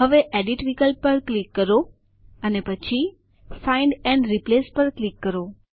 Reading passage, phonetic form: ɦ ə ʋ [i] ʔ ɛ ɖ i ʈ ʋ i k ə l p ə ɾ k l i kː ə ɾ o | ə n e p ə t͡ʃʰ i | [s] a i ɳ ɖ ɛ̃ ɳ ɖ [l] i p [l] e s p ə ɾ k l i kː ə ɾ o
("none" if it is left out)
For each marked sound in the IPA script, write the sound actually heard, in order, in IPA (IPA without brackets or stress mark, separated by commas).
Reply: e, f, ɾ, l